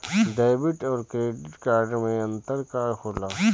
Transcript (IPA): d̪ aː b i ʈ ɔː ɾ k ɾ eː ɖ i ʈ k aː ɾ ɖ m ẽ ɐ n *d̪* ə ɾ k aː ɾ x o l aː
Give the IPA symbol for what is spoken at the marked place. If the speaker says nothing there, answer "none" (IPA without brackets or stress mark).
t̪